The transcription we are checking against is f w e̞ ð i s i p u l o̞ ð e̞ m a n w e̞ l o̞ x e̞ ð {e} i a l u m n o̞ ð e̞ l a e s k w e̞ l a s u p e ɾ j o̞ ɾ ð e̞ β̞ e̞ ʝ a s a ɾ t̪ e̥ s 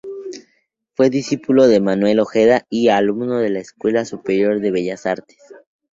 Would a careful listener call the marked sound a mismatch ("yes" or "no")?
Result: yes